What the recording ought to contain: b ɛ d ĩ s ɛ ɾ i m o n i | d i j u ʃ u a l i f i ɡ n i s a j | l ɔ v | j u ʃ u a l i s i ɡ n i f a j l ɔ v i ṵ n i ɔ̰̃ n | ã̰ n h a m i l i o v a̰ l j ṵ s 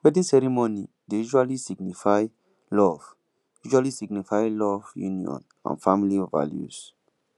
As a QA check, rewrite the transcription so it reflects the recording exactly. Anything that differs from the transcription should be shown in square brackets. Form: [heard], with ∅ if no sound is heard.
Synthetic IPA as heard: [w] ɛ d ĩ s ɛ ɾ i m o n i | d [e] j u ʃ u a l i [s] i ɡ n i [f] a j | l ɔ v | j u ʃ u a l i s i ɡ n i f a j l ɔ v [j] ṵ n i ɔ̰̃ n | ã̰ n [f] a m i l i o v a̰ l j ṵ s